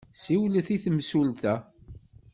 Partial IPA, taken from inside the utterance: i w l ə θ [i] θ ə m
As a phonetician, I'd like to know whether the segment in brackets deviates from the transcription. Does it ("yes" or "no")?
no